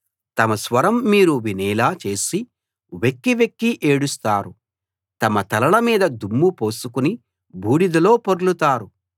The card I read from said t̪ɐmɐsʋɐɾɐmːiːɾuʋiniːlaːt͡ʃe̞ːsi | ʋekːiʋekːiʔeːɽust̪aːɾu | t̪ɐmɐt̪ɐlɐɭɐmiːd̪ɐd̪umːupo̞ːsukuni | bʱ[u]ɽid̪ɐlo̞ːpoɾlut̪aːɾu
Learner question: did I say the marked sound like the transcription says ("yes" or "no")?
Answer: no